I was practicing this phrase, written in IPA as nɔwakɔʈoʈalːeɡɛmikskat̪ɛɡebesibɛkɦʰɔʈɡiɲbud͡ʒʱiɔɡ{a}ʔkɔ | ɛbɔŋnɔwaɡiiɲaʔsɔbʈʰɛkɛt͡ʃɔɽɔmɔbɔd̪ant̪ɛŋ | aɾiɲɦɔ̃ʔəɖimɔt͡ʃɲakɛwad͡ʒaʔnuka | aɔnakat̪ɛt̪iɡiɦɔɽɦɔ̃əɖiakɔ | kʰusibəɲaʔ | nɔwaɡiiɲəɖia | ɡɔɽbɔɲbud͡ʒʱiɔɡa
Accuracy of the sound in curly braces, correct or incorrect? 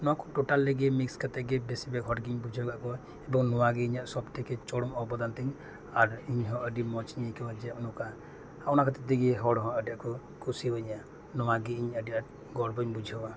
correct